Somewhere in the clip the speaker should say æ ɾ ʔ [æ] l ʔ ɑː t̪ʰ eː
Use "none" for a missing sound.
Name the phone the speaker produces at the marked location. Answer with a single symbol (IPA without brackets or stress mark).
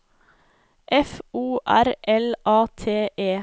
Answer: ɛ